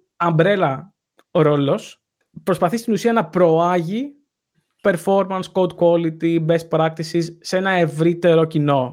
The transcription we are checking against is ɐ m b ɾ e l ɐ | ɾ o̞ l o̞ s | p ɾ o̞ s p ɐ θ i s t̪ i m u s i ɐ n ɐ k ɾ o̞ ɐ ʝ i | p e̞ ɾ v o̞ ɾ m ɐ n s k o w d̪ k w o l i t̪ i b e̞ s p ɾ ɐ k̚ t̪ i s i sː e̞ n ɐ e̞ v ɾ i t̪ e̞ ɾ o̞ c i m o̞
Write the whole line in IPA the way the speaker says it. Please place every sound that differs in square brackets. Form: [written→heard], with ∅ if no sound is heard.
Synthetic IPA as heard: ɐ m b ɾ e l ɐ | ɾ o̞ l o̞ s | p ɾ o̞ s p ɐ θ i s t̪ i [m→n] u s i ɐ n ɐ [k→p] ɾ o̞ ɐ ʝ i | p e̞ ɾ [v→f] o̞ ɾ m ɐ n s k o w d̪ k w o l i t̪ i b e̞ s p ɾ ɐ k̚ t̪ i s i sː e̞ n ɐ e̞ v ɾ i t̪ e̞ ɾ o̞ c i [m→n] o̞